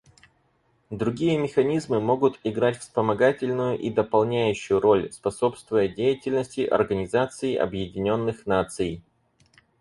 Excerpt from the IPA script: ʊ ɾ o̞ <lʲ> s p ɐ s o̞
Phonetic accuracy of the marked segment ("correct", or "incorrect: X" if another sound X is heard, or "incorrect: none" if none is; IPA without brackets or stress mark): correct